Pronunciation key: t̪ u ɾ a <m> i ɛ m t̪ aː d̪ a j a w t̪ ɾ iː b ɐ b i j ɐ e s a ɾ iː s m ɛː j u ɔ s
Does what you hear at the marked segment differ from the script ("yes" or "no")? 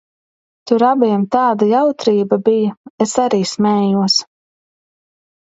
yes